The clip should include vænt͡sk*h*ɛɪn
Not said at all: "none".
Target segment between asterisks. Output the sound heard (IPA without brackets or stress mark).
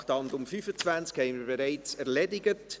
h